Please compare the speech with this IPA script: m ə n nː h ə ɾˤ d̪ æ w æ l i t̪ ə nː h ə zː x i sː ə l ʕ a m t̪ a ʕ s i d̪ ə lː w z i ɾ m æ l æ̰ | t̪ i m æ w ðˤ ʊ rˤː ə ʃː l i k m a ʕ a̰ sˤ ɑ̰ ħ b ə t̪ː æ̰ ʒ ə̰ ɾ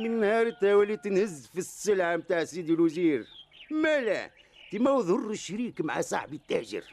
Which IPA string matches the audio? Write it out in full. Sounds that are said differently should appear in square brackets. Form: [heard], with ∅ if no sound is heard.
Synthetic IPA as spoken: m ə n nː h [ɑ] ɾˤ [t̪] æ w æ l i t̪ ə [n] h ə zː [f] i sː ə l ʕ a m t̪ a ʕ s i d̪ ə [l] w z i ɾ m æ l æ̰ | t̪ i m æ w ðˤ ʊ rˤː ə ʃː [ɾ] i k m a ʕ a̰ sˤ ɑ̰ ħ b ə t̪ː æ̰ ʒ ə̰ ɾ